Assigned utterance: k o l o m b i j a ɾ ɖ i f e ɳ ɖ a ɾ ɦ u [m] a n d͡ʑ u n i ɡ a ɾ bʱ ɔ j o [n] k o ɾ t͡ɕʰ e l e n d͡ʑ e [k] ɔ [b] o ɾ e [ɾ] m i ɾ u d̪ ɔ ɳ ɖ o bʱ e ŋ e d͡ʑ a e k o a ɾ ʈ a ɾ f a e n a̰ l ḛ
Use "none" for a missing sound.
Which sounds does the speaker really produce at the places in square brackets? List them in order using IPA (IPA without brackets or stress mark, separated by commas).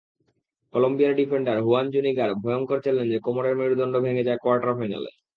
none, ŋ, k, m, ɾ